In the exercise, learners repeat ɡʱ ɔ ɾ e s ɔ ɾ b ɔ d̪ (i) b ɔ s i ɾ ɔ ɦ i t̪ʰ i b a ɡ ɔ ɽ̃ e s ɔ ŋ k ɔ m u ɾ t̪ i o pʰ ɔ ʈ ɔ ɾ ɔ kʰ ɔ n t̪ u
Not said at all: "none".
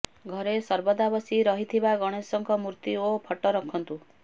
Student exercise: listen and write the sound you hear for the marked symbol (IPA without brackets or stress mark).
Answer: a